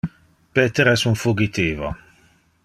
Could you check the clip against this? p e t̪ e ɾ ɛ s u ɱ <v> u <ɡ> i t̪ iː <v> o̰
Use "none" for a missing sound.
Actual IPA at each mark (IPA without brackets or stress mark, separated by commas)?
f, ɡ, v